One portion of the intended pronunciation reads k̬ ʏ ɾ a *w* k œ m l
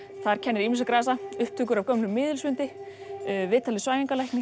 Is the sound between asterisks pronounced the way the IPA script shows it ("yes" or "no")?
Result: no